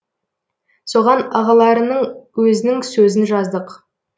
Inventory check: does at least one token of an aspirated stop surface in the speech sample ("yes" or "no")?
no